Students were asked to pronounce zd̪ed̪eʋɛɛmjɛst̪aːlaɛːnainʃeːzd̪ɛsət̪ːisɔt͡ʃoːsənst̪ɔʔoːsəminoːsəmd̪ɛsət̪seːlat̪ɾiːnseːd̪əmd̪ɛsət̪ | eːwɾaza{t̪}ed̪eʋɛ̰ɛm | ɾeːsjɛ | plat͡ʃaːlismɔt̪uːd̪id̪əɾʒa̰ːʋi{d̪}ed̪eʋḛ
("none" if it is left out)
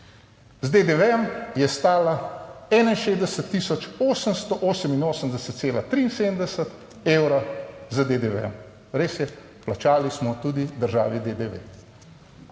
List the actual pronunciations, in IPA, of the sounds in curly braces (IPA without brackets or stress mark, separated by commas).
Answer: d̪, d̪